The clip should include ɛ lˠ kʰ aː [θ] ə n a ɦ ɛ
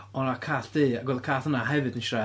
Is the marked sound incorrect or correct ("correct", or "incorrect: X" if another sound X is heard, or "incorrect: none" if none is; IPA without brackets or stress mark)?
correct